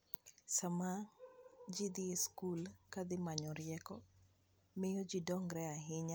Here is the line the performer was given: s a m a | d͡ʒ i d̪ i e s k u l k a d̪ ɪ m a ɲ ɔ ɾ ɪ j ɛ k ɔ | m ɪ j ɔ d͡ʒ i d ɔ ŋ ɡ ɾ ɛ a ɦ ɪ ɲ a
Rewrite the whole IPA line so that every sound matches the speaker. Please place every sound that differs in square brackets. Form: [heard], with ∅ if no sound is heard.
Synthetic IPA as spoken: s a m a | d͡ʒ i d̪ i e s k u l k a d̪ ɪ m a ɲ ɔ ɾ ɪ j ɛ k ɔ | m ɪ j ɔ d͡ʒ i d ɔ ŋ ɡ ɾ ɛ a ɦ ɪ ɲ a